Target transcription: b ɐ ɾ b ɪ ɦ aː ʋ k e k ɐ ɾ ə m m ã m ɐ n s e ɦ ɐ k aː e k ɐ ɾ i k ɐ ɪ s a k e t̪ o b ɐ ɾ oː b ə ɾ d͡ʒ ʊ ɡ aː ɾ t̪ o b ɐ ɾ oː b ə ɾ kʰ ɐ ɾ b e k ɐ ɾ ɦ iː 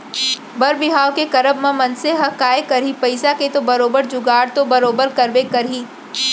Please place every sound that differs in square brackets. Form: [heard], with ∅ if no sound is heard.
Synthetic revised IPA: b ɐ ɾ b ɪ ɦ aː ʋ k e k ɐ ɾ ə [b] m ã m ɐ n s e ɦ ɐ k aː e k ɐ ɾ i [p] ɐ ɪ s a k e t̪ o b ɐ ɾ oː b ə ɾ d͡ʒ ʊ ɡ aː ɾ t̪ o b ɐ ɾ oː b ə ɾ [k] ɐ ɾ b e k ɐ ɾ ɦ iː